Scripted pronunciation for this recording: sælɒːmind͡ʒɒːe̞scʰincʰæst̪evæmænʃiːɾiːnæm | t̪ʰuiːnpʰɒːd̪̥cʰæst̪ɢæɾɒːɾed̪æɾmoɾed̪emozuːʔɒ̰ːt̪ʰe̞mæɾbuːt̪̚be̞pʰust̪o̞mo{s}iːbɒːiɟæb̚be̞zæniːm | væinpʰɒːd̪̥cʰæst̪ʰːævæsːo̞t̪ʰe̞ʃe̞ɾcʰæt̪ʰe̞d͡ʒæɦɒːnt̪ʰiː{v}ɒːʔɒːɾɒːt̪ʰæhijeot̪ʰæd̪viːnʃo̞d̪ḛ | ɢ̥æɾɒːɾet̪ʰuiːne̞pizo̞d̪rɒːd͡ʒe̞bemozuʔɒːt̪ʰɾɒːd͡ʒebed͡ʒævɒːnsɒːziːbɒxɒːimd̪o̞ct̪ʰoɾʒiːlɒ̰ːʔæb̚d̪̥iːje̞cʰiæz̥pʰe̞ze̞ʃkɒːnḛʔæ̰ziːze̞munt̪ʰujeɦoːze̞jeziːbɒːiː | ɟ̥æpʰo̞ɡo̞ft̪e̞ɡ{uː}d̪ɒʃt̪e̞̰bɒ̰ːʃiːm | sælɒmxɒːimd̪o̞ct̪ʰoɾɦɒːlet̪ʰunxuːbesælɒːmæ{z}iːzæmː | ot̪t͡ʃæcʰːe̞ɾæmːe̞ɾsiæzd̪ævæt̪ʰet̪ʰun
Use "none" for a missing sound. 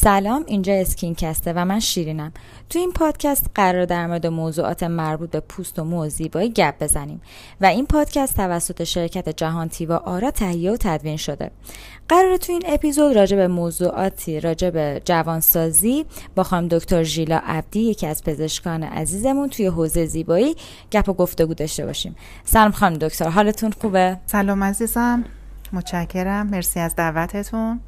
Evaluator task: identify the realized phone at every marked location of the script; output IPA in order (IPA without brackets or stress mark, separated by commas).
z, v, uː, z